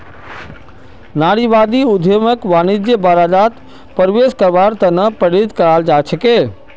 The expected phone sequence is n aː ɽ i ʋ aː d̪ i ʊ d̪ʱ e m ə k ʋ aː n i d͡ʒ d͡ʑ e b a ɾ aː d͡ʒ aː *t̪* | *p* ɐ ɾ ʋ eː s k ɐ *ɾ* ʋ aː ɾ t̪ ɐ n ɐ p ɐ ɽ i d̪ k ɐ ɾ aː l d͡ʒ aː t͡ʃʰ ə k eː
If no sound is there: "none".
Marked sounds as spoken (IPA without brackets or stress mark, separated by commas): t̪, p, ɾ